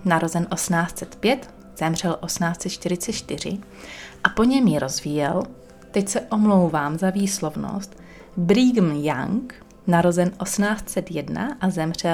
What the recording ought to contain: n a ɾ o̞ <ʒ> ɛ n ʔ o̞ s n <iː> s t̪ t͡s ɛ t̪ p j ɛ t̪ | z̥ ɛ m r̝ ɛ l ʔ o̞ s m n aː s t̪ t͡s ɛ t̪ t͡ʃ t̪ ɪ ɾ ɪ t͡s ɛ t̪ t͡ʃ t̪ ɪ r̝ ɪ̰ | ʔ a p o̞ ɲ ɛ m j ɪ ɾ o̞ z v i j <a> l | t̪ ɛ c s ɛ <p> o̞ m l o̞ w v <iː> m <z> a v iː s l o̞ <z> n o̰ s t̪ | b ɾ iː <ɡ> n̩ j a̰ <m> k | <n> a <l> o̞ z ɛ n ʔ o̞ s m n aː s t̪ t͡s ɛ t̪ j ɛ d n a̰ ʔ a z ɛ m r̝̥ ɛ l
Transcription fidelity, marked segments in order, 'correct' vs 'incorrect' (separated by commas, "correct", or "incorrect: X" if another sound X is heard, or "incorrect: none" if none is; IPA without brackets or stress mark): incorrect: z, incorrect: aː, incorrect: ɛ, incorrect: ʔ, incorrect: aː, correct, incorrect: v, correct, incorrect: ŋ, correct, incorrect: ɾ